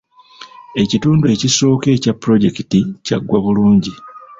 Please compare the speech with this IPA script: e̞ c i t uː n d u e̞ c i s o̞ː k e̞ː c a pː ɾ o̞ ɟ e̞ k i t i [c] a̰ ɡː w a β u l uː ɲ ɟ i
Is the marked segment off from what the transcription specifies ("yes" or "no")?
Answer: no